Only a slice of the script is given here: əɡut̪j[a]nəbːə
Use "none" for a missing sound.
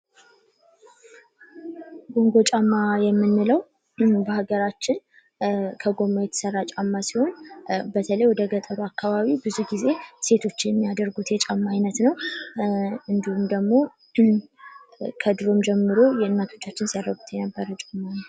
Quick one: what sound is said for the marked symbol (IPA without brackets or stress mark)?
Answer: ɛ